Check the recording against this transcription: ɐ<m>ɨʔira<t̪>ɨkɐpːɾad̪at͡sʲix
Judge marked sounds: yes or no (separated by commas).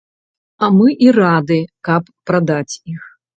yes, no